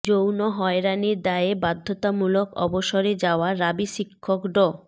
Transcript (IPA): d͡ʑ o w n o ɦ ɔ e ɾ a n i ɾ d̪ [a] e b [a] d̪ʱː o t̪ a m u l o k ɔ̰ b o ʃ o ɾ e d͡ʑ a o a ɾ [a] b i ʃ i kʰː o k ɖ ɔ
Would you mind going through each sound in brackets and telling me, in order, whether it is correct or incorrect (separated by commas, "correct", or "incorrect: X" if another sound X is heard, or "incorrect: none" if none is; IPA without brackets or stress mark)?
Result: correct, correct, correct